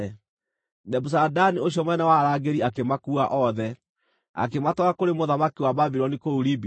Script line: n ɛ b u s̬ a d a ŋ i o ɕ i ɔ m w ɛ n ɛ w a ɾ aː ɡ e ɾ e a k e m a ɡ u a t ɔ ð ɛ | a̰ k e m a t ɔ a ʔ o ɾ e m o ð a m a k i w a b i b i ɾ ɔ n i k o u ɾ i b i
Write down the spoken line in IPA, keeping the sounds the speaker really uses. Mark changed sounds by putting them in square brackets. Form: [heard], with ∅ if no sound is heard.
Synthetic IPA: n ɛ b u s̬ a d a [n] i o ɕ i ɔ m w ɛ n ɛ w a ɾ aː ɡ e ɾ [i] a k e m a [k] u a [ʔ] ɔ ð ɛ | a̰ k e m a t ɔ a [k] o ɾ e m o ð a m a k i w a b [a] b i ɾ ɔ n i k o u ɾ i b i